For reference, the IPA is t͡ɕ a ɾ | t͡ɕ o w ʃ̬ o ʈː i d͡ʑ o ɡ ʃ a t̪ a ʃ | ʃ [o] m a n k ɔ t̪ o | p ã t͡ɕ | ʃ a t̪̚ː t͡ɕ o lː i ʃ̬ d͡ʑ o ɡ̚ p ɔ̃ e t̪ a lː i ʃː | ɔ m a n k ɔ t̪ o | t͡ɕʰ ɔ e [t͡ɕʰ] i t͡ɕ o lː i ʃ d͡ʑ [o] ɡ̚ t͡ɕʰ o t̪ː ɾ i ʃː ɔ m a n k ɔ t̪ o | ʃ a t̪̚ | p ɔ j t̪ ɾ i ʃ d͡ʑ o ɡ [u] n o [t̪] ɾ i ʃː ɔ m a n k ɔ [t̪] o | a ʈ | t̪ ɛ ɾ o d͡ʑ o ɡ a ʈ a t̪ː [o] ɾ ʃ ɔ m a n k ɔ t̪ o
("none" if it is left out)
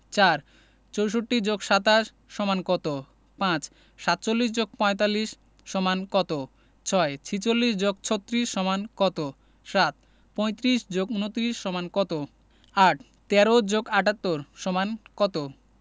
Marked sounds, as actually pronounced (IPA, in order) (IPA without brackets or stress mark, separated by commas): ɔ, t͡ɕʰ, o, u, t̪, t̪, o